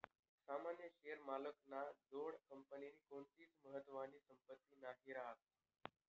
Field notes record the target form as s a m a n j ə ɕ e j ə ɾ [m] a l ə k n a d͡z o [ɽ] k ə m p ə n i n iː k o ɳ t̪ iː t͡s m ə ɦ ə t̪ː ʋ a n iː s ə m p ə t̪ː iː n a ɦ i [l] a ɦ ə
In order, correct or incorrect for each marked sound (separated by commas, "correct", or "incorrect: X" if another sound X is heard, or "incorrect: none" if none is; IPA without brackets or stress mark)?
correct, correct, incorrect: ɾ